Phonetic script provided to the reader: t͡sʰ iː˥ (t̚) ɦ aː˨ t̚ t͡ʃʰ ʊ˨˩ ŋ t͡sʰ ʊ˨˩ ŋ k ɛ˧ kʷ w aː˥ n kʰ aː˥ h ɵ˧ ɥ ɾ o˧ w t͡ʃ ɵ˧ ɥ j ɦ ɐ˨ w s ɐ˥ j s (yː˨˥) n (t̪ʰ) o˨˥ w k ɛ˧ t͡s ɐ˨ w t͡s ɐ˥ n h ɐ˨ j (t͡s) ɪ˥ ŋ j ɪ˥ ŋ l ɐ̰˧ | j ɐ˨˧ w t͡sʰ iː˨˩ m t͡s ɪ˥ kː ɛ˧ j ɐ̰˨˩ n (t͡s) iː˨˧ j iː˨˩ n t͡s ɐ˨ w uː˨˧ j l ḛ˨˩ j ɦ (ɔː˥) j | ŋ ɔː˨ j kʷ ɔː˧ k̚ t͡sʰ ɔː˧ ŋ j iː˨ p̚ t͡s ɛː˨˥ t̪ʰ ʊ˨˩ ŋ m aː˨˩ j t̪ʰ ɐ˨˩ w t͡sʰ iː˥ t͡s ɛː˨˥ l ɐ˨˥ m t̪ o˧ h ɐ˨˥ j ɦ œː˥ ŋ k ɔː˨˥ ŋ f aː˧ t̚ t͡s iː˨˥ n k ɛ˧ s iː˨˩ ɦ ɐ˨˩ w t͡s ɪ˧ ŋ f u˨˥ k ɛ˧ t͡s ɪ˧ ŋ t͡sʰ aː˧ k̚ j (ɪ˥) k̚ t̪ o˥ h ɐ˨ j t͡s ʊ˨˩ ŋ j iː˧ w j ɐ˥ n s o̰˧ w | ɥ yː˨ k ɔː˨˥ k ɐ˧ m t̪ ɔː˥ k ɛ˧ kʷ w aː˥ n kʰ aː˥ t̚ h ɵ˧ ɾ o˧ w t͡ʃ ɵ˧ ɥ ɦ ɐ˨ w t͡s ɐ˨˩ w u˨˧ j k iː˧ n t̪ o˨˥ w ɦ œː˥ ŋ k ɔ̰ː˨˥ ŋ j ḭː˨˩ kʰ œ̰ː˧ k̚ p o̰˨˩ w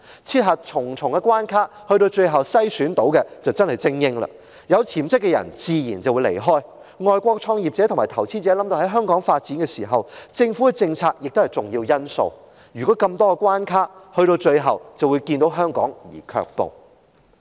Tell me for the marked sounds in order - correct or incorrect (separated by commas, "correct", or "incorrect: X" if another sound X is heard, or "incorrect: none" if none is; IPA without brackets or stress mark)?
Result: correct, correct, incorrect: t̪, correct, correct, correct, incorrect: ɪ˨